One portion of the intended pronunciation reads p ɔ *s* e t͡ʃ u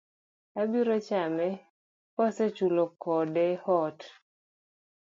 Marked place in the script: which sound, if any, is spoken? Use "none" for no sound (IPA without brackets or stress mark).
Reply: s